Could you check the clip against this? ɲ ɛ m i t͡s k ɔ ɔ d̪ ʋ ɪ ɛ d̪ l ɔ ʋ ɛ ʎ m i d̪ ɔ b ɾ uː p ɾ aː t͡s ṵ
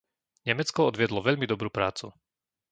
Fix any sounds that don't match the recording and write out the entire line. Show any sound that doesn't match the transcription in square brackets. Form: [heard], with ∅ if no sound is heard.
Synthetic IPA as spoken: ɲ ɛ m [ɛ] t͡s k ɔ ɔ d̪ ʋ ɪ ɛ d̪ l ɔ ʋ ɛ ʎ m i d̪ ɔ b ɾ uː p ɾ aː t͡s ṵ